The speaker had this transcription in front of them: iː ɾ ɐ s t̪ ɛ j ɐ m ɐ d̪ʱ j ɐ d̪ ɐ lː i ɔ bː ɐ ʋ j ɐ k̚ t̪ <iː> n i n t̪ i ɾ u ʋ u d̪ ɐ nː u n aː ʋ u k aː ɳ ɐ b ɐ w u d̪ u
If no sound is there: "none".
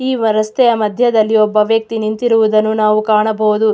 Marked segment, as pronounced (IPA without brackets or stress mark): i